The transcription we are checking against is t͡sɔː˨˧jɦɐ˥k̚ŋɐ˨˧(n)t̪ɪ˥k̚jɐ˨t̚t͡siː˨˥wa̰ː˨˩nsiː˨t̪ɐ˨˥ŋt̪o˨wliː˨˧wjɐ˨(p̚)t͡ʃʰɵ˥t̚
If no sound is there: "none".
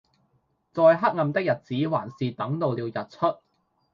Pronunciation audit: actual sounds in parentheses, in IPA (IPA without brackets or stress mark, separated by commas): m, t̚